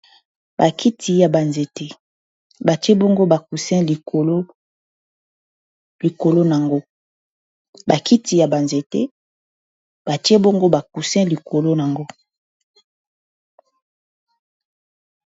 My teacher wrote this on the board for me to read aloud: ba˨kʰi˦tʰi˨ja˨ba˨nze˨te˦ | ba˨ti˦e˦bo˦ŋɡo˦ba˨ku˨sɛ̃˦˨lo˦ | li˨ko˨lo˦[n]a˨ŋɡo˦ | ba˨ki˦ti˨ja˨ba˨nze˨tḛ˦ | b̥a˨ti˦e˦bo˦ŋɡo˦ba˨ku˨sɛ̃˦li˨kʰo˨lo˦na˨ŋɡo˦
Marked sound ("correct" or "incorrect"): correct